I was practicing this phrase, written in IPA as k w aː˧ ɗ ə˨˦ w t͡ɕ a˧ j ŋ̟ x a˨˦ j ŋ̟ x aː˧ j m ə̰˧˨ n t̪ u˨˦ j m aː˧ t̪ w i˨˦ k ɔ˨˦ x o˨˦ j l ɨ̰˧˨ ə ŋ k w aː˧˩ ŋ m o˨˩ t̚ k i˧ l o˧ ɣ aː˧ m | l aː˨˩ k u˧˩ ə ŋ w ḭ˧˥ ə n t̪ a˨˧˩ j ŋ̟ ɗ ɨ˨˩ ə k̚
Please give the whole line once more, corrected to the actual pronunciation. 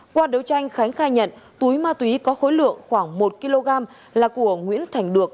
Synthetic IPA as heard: k w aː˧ ɗ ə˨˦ w t͡ɕ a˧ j ŋ̟ x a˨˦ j ŋ̟ x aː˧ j ɲ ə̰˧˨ n t̪ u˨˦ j m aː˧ t̪ w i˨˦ k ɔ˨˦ x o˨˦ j l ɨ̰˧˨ ə ŋ x w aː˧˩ ŋ m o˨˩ t̚ k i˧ l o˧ ɣ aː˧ m | l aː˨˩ k u˧˩ ə ŋ w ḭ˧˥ ə n t̪ʰ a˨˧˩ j ŋ̟ ɗ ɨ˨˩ ə k̚